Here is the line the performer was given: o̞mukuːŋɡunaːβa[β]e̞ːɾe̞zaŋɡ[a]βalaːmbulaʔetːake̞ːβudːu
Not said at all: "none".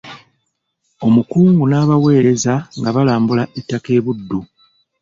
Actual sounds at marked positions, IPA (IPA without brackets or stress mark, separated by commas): w, a